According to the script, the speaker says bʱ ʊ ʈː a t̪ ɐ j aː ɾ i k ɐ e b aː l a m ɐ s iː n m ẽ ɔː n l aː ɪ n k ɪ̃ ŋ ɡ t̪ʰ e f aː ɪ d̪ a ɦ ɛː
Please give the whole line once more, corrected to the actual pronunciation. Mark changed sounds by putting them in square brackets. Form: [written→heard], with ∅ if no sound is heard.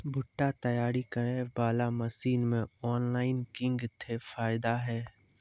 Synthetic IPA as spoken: bʱ ʊ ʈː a t̪ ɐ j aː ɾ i k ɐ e b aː l a m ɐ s iː n m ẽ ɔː n l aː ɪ n k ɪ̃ ŋ ɡ t̪ʰ e f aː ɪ d̪ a ɦ ɛː